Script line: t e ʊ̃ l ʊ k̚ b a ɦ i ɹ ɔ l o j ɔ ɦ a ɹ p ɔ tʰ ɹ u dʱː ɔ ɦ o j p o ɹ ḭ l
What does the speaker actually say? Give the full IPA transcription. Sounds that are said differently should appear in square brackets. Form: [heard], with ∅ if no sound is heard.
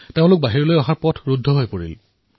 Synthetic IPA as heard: t e ʊ̃ l ʊ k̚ b a ɦ i ɹ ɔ l o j ɔ ɦ a ɹ p ɔ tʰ ɹ u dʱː ɔ ɦ o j p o ɹ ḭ l